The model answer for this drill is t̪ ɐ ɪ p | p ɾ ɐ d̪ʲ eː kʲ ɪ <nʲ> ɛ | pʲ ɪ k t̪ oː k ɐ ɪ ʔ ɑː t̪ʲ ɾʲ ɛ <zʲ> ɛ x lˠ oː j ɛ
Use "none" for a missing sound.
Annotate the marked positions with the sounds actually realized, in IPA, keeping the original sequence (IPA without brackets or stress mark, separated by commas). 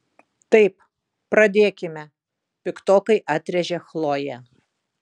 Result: mʲ, ʒʲ